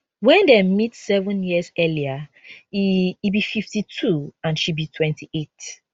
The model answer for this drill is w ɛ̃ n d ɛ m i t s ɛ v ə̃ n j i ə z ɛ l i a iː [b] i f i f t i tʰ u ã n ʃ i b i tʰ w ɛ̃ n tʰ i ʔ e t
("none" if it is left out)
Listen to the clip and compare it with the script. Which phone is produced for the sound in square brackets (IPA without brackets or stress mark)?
b